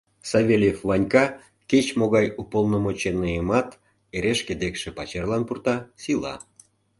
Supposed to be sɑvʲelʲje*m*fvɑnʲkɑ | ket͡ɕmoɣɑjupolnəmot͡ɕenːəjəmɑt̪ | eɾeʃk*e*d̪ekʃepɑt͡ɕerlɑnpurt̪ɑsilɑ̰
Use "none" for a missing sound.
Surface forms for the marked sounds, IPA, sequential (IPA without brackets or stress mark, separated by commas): none, e